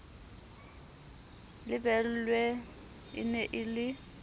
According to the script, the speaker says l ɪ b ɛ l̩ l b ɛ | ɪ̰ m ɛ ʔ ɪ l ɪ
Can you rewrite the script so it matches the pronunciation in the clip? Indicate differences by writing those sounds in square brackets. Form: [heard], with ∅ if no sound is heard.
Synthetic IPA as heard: l ɪ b ɛ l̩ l [w] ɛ | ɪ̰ [n] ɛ ʔ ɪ l ɪ